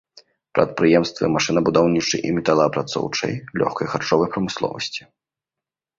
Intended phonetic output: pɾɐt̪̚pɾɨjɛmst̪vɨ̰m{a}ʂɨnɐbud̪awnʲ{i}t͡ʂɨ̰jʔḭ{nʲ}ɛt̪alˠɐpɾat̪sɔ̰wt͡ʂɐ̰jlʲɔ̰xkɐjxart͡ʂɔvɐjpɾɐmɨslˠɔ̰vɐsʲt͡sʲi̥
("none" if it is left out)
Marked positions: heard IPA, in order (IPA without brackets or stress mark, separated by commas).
a, i, mʲ